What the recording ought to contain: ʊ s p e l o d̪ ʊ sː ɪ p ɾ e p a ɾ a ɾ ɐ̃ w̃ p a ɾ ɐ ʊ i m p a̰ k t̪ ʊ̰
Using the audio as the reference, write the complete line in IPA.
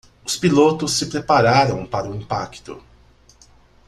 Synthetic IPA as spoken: ʊ s p i l o t̪ ʊ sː ɪ p ɾ e p a ɾ a ɾ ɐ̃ w̃ p a ɾ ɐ ʊ ĩ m p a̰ k t̪ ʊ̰